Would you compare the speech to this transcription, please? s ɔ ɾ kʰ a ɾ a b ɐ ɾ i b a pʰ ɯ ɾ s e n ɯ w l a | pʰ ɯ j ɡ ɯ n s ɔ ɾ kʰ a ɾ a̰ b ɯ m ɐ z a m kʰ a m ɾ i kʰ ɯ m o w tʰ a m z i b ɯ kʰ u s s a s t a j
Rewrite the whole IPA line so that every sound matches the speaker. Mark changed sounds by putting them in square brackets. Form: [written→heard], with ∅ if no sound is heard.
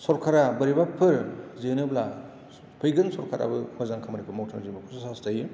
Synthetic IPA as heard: s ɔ ɾ kʰ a ɾ a b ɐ ɾ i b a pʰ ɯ ɾ [s→z] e n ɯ [w→b] l a | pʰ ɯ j ɡ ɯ n s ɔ ɾ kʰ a ɾ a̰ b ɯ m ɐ z a [m→ŋ] kʰ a m ɾ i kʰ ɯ m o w tʰ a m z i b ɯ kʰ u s s a s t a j